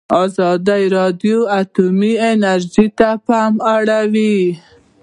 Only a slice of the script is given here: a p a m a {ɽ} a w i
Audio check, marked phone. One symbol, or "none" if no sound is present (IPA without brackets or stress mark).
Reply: ɽ